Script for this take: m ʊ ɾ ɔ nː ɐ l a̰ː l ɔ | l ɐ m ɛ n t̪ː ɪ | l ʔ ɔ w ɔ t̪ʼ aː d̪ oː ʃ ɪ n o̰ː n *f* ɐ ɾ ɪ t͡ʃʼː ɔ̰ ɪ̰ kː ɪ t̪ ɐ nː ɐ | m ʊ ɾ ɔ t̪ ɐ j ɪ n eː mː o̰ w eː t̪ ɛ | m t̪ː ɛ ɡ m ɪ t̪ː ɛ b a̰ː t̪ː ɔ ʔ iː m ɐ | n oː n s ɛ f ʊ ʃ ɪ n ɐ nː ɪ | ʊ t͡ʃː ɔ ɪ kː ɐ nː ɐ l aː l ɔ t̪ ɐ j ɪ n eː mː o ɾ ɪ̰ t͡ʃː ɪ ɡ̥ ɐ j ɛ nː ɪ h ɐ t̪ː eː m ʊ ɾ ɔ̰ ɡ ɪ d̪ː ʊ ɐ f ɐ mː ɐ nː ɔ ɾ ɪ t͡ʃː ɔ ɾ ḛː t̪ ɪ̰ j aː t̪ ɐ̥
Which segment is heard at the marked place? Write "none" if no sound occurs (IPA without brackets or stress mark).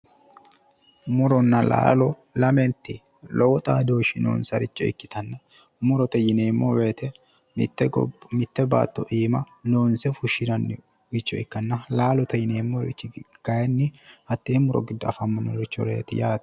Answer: s